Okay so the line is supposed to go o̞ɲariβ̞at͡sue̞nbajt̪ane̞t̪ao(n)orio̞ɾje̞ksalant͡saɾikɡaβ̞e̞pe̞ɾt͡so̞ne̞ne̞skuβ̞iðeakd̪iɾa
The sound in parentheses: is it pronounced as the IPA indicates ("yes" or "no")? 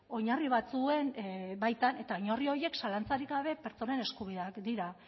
no